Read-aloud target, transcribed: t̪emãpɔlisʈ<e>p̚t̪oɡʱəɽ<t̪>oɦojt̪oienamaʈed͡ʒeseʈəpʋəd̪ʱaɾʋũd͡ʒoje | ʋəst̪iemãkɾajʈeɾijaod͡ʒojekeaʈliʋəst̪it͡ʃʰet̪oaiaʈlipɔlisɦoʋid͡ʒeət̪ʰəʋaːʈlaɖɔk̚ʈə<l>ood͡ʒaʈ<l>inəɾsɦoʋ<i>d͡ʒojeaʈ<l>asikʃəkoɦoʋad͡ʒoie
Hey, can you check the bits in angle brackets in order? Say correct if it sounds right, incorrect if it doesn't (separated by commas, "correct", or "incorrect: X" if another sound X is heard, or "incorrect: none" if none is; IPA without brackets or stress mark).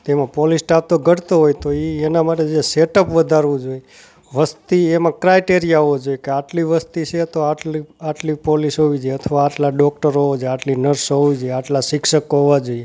incorrect: a, correct, incorrect: ɾ, correct, correct, correct